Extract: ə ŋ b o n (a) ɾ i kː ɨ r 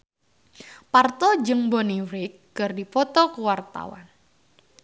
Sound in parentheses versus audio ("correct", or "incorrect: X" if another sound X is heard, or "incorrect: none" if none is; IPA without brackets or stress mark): incorrect: i